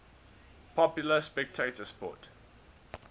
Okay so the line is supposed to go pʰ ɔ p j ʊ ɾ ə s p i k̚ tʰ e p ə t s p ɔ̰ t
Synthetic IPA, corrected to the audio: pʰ ɔ p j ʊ l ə s p ɛ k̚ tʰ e t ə s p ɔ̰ t